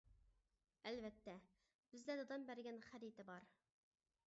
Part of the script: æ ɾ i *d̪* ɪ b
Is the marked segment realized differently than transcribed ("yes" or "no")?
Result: yes